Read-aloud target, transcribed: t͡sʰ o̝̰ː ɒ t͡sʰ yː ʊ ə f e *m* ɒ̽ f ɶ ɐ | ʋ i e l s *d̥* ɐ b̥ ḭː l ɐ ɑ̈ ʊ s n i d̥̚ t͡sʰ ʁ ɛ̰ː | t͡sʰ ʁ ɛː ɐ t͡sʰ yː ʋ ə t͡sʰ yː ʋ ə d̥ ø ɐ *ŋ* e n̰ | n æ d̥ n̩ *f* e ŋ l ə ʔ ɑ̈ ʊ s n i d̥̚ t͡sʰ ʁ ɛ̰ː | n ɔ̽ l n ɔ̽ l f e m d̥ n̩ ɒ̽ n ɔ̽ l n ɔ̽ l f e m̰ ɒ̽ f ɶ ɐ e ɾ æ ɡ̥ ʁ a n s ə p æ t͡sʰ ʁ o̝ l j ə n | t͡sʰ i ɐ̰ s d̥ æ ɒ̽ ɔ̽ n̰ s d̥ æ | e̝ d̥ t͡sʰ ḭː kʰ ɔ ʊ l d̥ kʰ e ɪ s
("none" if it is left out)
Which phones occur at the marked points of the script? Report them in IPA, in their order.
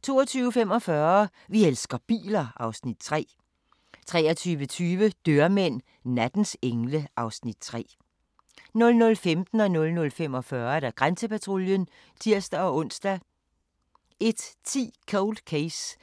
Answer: m, ɡ̥, m, s

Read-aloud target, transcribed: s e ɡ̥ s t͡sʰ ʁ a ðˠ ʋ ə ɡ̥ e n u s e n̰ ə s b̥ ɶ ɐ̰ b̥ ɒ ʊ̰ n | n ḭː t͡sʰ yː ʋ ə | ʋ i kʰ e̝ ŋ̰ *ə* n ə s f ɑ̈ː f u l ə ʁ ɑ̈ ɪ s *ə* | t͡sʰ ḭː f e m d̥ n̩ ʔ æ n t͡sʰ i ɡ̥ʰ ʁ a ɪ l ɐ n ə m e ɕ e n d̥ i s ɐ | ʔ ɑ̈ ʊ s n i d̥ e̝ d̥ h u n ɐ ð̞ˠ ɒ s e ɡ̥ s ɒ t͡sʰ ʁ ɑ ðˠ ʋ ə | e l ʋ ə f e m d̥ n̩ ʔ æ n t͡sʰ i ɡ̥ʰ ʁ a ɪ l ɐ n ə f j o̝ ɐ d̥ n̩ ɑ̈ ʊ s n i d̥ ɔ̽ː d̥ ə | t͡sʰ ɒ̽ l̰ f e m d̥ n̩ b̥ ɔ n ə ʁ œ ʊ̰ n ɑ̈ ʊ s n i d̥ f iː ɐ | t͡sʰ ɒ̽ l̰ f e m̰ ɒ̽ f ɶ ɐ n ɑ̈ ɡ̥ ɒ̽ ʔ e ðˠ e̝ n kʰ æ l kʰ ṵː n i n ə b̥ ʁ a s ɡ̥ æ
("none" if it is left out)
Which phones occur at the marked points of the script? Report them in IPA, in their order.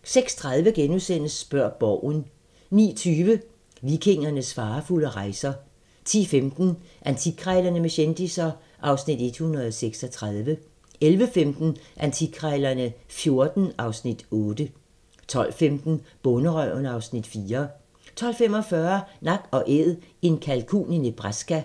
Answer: ɐ, ɐ

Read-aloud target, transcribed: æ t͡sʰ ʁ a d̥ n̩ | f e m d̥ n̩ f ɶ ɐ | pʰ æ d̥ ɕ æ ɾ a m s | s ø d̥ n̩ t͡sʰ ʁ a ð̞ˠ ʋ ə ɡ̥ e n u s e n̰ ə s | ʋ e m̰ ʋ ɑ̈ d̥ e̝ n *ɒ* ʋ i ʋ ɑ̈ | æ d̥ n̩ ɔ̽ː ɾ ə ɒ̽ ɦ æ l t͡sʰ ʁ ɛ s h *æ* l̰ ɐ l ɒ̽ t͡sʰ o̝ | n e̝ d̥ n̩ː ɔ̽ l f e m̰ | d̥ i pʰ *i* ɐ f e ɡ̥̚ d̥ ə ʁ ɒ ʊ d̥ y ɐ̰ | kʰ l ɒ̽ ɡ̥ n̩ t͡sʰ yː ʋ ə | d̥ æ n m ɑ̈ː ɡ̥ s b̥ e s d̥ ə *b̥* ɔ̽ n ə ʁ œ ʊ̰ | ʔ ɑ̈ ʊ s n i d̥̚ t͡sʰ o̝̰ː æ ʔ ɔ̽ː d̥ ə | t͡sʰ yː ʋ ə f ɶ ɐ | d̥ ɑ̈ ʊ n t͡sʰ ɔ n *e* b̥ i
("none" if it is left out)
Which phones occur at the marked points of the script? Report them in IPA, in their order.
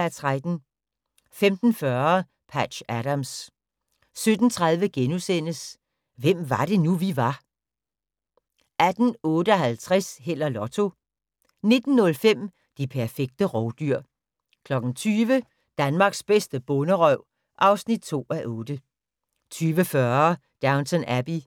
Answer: u, e, æ, b̥, æ

